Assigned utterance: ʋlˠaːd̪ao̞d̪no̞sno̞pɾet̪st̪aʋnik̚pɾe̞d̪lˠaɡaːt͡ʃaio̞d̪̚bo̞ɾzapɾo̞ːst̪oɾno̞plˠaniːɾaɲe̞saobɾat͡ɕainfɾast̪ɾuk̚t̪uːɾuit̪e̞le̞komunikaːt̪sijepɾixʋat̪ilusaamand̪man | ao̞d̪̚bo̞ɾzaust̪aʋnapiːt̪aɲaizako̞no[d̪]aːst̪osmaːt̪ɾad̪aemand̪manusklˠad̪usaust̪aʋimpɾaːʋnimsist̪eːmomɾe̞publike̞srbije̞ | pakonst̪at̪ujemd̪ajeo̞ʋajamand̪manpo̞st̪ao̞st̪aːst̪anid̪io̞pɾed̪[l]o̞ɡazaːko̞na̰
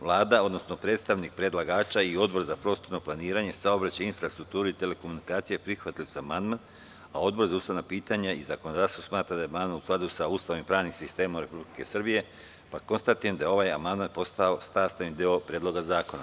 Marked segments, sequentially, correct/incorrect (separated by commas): correct, correct